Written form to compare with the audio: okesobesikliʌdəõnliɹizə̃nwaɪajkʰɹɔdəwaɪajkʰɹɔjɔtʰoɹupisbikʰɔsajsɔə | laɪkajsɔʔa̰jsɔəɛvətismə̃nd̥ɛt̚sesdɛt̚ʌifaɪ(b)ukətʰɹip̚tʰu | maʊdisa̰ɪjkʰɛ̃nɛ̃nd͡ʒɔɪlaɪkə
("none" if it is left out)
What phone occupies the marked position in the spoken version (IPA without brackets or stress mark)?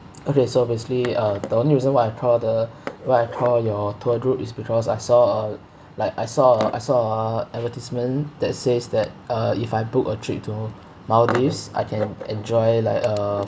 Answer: b